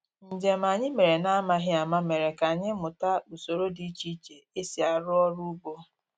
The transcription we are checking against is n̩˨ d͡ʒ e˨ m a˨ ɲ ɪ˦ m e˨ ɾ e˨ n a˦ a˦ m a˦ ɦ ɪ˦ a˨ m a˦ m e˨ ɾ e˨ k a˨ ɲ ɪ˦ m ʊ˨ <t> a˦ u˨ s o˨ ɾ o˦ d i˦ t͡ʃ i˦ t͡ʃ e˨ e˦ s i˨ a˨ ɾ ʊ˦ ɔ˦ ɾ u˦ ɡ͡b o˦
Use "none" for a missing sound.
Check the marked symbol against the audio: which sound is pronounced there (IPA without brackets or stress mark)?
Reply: t